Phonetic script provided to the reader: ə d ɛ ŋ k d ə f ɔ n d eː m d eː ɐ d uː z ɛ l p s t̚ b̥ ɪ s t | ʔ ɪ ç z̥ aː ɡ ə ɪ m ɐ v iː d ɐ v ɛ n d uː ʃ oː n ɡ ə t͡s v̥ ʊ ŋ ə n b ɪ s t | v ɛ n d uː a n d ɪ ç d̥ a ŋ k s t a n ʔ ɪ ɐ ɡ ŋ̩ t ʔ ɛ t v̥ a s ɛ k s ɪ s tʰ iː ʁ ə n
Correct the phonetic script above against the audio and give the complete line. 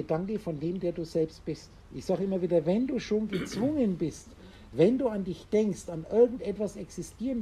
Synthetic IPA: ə d a ŋ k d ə f ɔ n d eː m d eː ɐ d uː z ɛ l p s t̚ b̥ ɪ s t | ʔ ɪ ç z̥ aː ɡ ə ɪ m ɐ v iː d ɐ v ɛ n d uː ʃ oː n ɡ ə t͡s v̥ ʊ ŋ ə n b ɪ s t | v ɛ n d uː a n d ɪ ç d̥ ɛ ŋ k s t a n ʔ ɪ ɐ ɡ ŋ̩ t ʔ ɛ t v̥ a s ɛ k s ɪ s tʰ iː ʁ ə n